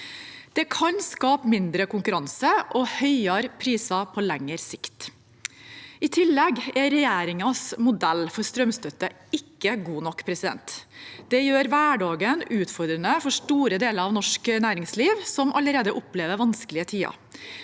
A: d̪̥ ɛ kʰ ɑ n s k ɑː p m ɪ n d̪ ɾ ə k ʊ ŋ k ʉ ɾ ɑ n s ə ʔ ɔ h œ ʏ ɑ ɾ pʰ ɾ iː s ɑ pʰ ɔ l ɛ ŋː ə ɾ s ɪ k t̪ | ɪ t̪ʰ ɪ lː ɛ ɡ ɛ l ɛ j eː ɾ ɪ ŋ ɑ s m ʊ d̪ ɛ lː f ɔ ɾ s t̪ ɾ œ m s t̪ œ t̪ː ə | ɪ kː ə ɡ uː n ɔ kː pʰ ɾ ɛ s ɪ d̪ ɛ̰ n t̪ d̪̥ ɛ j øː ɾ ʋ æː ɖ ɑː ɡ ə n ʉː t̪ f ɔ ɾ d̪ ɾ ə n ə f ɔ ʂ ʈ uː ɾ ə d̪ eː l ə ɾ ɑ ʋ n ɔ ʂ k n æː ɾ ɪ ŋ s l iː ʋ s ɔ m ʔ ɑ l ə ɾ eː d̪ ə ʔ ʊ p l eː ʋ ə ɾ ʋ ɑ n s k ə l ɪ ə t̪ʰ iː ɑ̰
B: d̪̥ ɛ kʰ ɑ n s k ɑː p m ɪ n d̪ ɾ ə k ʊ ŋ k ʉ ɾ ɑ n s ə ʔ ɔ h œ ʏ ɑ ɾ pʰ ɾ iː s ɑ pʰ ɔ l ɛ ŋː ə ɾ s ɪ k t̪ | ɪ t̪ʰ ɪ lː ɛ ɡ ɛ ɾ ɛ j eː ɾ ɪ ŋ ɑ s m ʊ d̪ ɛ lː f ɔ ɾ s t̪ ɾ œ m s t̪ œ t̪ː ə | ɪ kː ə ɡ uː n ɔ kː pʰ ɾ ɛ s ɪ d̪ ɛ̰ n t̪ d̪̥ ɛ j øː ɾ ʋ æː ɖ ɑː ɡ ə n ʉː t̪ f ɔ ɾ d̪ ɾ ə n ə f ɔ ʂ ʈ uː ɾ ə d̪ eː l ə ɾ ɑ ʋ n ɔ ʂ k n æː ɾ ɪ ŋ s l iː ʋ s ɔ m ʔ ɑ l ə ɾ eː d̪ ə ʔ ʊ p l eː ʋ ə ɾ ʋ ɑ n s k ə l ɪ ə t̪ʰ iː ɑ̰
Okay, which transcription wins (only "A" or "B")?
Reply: B